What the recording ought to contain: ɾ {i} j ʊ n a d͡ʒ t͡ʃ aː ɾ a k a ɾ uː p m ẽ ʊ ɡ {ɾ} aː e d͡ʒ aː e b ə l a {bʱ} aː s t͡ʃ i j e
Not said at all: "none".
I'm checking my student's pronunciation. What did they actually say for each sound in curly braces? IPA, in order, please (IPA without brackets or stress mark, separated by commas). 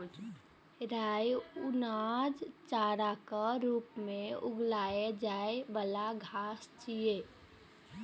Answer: a, l, ɡʱ